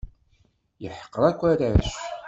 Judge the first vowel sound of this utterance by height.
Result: mid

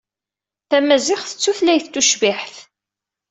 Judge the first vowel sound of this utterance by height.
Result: low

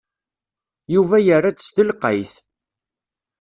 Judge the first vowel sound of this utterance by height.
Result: high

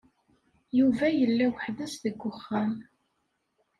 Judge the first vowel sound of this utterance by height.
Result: high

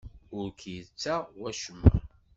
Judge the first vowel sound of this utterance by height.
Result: high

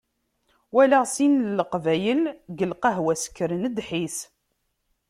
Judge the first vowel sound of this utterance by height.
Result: low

